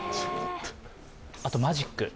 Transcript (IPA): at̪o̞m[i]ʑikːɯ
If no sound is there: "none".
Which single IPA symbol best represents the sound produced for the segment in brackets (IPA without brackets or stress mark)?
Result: a